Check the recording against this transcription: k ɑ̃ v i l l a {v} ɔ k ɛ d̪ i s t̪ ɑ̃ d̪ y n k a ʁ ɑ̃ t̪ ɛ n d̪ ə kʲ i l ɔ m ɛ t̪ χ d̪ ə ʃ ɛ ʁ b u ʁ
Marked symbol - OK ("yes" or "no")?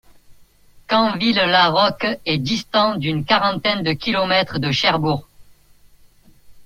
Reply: no